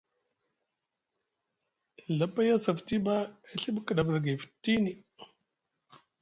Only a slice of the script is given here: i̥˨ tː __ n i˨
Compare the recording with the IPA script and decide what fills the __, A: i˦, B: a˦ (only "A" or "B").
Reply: A